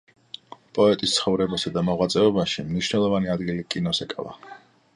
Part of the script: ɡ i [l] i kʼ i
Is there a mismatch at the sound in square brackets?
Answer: no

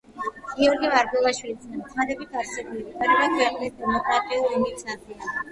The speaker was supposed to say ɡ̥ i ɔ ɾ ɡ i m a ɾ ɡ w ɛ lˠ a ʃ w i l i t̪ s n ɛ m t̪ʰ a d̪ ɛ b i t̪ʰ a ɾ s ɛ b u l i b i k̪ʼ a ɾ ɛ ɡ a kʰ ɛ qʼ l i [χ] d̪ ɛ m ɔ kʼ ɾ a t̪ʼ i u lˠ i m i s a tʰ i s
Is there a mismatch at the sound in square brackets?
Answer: yes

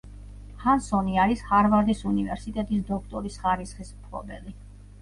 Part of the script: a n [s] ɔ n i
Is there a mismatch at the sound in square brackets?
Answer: no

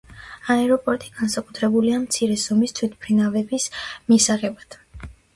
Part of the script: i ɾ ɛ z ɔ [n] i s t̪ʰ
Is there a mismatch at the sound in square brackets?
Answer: yes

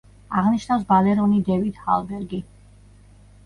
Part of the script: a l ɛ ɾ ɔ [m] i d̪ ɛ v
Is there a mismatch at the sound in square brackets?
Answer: yes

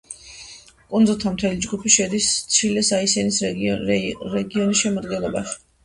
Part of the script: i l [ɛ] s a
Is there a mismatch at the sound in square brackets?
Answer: no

